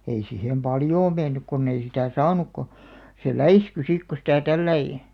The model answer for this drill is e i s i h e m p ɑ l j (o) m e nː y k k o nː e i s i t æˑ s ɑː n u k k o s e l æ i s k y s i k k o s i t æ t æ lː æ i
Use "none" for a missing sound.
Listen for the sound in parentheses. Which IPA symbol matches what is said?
oː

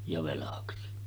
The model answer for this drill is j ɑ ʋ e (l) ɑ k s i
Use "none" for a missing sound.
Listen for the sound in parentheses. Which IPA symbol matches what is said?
l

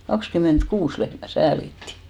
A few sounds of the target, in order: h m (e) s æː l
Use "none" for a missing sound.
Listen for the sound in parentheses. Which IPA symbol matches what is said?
æ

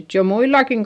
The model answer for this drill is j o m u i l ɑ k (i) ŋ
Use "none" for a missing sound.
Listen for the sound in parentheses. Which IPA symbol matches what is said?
i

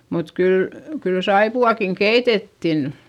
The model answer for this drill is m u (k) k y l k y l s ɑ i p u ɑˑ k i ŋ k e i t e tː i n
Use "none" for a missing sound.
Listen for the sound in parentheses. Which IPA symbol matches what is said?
t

